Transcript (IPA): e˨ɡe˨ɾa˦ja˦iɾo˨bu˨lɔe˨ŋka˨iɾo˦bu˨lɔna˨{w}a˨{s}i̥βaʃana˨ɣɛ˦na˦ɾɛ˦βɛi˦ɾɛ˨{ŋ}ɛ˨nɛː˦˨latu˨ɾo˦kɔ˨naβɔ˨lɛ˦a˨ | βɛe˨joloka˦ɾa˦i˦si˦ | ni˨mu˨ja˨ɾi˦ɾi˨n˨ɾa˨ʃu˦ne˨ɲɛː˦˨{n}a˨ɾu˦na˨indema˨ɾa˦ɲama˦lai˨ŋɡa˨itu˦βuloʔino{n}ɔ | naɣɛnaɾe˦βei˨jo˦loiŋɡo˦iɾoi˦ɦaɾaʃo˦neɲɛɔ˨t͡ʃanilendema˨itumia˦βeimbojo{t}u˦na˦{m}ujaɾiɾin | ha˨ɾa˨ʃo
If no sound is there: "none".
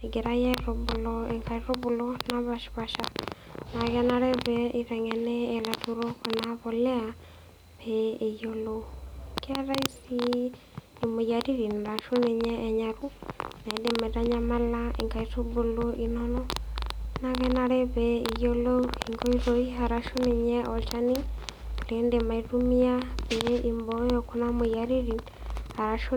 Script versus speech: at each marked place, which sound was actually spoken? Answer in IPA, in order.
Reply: β, ʃ, ŋ, ɲ, n, k, m

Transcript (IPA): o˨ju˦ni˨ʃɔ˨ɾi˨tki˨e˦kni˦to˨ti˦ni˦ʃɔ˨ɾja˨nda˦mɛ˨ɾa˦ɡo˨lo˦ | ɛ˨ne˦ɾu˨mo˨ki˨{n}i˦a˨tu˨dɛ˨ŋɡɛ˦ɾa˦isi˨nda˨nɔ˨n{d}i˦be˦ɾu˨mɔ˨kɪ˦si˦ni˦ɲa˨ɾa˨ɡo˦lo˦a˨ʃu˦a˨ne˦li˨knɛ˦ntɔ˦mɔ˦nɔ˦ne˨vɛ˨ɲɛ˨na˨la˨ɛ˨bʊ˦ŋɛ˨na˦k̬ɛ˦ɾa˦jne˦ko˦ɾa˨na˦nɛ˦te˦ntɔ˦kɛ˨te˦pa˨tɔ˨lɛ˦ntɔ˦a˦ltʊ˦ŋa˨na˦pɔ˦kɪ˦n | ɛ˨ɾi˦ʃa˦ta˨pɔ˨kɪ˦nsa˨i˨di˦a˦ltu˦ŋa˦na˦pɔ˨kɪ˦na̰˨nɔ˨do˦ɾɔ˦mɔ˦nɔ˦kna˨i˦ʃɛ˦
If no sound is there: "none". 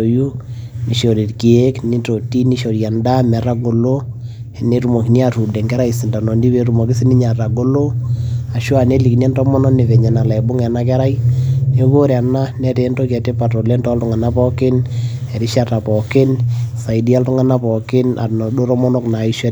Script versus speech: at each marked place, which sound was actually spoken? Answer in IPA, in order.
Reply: n, d

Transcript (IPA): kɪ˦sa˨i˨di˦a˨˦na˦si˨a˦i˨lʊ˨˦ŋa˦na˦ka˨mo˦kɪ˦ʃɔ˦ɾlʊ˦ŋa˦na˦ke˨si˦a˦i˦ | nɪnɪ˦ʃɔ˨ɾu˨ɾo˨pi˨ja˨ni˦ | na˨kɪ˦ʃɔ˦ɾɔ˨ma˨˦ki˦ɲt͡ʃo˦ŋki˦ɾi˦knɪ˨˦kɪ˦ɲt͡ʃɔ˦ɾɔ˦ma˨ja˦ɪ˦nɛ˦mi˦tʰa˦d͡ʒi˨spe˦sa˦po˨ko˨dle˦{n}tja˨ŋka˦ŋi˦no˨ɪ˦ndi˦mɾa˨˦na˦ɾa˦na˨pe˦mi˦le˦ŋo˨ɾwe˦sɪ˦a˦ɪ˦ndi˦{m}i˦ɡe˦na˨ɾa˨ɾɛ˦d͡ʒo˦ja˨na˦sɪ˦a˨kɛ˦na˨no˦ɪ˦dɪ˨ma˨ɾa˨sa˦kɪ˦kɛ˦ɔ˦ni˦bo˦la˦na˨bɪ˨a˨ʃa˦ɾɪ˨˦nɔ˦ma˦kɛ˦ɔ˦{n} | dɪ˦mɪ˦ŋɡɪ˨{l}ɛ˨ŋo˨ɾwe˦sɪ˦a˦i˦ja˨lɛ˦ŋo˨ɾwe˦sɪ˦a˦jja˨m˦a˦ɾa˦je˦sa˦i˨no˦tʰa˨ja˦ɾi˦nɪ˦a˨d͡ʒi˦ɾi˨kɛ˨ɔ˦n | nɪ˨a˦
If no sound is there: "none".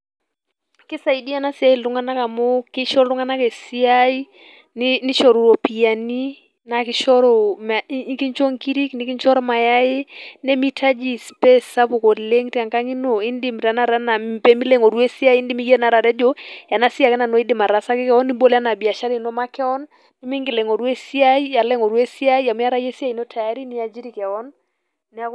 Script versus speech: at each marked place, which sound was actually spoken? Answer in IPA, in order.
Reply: ŋ, m, n, l

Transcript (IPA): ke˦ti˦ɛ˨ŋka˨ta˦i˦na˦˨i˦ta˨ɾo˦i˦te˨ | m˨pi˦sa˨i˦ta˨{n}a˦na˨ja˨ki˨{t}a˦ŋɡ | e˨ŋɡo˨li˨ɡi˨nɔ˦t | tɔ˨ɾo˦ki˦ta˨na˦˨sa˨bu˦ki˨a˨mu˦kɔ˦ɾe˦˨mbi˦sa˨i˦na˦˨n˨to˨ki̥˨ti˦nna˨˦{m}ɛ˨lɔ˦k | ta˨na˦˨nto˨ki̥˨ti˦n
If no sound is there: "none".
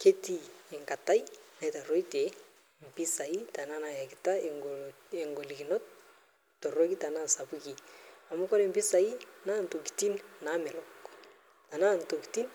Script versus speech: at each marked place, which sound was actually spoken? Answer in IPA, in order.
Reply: n, t, m

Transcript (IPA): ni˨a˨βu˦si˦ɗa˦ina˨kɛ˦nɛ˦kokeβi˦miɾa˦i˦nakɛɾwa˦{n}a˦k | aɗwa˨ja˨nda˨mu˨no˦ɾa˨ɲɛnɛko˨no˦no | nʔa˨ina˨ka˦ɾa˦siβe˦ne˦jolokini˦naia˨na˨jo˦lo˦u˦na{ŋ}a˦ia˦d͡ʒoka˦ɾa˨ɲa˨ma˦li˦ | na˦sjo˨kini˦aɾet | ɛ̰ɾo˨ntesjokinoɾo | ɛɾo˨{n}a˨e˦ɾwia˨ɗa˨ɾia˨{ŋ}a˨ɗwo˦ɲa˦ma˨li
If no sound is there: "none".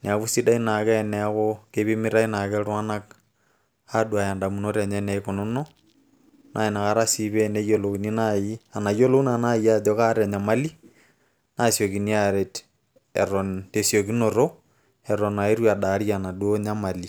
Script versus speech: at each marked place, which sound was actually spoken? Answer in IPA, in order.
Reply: n, n, n, n

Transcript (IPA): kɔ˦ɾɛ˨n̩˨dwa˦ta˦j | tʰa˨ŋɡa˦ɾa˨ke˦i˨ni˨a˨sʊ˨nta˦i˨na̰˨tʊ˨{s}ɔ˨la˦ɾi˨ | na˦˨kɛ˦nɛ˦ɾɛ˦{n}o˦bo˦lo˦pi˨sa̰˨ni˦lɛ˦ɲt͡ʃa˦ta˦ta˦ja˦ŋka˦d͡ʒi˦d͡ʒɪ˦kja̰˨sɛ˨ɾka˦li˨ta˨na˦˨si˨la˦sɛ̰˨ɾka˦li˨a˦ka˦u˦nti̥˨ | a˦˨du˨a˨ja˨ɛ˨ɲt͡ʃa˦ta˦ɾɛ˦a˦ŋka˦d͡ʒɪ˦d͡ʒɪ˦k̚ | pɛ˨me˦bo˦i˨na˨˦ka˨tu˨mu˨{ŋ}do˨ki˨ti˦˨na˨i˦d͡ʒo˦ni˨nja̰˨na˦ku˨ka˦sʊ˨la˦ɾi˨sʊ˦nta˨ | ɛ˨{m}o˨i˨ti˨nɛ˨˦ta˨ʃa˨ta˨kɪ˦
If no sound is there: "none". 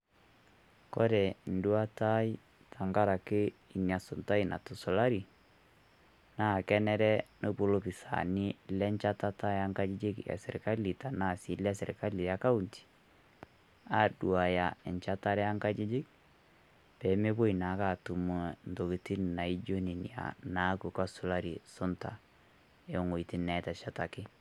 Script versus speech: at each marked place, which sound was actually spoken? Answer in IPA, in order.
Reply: s, n, n, ŋ

